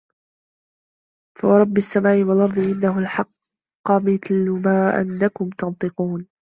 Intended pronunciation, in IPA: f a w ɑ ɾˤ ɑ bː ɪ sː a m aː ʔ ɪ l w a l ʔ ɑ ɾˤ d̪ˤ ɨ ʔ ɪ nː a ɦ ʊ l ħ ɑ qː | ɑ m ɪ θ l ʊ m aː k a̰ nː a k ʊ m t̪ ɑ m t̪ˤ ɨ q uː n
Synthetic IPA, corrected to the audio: f a w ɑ ɾˤ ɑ bː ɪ sː a m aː ʔ ɪ w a l ʔ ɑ ɾˤ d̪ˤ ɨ ʔ ɪ nː a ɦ ʊ l ħ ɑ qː | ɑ m ɪ θ l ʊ m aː ʔ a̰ nː a k ʊ m t̪ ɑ n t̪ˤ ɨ q uː n